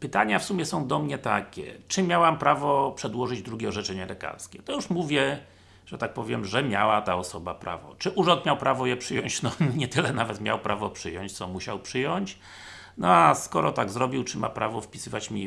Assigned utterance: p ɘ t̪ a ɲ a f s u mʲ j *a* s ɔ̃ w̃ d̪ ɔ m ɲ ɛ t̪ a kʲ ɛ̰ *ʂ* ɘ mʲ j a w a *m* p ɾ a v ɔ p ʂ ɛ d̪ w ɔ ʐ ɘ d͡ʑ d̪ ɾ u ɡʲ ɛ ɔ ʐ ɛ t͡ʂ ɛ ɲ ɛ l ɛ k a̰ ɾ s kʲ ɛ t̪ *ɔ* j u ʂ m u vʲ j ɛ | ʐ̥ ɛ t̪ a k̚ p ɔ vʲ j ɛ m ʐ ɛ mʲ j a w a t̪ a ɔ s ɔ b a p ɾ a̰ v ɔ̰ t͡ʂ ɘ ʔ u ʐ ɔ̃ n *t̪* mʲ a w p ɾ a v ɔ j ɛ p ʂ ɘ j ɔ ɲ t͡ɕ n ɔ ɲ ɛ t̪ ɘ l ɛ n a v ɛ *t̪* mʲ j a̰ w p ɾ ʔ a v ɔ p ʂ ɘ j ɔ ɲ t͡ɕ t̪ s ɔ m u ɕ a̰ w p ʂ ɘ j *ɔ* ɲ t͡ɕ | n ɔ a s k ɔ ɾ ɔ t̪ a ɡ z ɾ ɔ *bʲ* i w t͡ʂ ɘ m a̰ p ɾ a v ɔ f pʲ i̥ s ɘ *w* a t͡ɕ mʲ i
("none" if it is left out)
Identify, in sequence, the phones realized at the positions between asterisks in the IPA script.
ɛ, t͡ʂ, m, ɔ, t̪, t̪, ɔ, bʲ, v

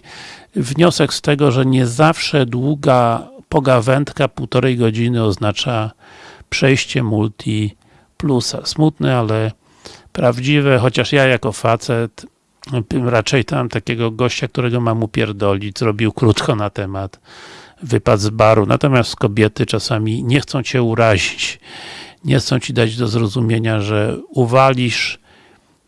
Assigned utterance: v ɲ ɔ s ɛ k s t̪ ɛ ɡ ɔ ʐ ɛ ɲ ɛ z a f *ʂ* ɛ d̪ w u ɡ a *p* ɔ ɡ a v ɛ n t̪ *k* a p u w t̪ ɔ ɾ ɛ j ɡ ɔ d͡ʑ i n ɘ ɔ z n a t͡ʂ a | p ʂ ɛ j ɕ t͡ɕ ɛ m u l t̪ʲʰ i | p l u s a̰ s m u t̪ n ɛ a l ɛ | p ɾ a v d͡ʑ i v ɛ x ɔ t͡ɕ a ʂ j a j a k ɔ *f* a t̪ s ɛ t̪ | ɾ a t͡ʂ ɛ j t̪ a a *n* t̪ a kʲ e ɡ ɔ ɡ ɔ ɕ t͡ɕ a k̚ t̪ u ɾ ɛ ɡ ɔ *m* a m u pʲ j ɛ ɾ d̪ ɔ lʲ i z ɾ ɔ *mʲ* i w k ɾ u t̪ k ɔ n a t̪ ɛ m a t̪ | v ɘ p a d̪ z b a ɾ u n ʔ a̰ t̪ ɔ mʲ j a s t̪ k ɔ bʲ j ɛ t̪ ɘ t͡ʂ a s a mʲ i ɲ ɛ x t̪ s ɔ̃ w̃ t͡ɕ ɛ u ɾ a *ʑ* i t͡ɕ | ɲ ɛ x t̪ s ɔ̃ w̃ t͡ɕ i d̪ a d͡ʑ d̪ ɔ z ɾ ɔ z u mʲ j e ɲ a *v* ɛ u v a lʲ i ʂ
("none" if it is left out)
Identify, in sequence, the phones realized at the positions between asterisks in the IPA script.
ʂ, p, k, f, m, m, bʲ, ʑ, ʐ

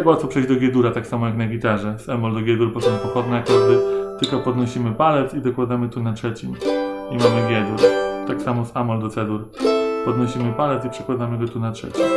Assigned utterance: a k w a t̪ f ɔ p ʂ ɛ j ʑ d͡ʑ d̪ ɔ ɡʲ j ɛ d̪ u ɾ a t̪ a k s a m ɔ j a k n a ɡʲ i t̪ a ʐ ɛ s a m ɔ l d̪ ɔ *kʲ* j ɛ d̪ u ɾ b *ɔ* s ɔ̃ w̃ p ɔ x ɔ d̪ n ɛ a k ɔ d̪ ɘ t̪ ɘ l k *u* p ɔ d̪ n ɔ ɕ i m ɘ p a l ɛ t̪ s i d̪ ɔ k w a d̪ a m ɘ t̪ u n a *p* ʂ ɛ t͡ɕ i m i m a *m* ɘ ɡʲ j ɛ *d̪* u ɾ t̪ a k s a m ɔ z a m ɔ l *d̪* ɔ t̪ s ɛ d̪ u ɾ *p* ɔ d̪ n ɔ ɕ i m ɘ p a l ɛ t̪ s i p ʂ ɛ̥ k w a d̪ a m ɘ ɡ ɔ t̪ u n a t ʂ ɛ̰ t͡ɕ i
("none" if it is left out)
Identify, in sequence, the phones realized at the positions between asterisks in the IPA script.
ɡʲ, ɔ, ɔ, t, m, d̪, d̪, p

